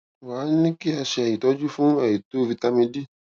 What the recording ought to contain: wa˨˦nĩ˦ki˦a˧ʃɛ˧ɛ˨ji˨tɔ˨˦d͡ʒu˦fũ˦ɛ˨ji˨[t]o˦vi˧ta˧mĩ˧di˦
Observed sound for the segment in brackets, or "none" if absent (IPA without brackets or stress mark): t